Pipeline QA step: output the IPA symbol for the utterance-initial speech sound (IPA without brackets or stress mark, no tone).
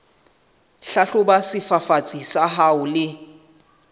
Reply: ɬ